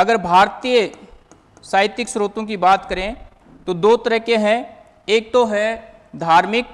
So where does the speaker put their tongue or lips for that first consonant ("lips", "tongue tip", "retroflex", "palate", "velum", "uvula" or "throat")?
velum